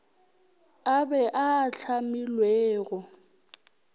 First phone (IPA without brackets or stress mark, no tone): a